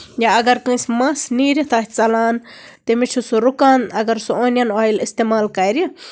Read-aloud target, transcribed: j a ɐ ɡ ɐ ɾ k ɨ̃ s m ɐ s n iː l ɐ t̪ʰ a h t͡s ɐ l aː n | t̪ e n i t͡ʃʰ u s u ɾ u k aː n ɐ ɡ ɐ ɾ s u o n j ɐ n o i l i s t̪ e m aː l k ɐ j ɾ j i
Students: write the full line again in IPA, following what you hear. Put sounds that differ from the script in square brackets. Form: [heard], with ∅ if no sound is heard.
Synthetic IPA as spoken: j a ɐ ɡ ɐ ɾ k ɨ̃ s m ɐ s n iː [ɾ] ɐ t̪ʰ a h t͡s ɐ l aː n | t̪ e [m] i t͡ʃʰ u s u ɾ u k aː n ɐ ɡ ɐ ɾ s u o n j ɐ n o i l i s t̪ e m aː l k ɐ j ɾ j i